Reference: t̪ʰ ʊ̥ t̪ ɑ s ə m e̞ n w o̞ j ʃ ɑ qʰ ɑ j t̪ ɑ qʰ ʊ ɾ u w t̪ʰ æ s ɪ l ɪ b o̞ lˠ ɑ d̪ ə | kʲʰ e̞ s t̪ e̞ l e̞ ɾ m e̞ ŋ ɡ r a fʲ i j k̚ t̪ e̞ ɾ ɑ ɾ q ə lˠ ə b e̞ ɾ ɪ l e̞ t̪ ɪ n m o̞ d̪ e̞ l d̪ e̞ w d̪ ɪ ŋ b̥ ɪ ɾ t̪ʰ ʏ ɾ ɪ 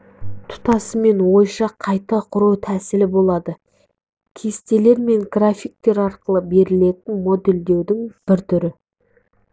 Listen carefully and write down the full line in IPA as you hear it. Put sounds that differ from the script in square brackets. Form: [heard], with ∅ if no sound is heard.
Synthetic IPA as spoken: t̪ʰ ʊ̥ t̪ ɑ s ə m e̞ n w o̞ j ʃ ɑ qʰ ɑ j t̪ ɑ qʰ ʊ ɾ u w t̪ʰ æ s ɪ l ɪ b o̞ lˠ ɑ d̪ ə | kʲʰ e̞ s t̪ e̞ l e̞ ɾ m e̞ ŋ ɡ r a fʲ i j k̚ t̪ e̞ ɾ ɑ ɾ q ə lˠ ə b e̞ ɾ ɪ l e̞ t̪ ɪ n m o̞ d̪ e̞ l d̪ e̞ w d̪ ɪ ŋ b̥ ɪ ɾ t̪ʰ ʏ ɾ ɪ